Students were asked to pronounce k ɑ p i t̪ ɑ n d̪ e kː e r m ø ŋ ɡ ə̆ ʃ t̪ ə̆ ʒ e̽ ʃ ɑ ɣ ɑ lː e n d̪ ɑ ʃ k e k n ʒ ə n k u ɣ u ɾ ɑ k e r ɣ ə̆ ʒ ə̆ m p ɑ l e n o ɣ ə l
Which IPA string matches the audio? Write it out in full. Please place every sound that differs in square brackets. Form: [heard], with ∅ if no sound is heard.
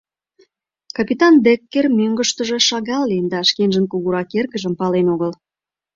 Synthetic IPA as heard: k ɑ p i t̪ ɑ n d̪ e kː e r m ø ŋ ɡ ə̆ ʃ t̪ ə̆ ʒ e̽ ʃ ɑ ɣ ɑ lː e n d̪ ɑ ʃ k e [∅] n ʒ ə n k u ɣ u ɾ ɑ k e r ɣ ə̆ ʒ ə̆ m p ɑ l e n o ɣ ə l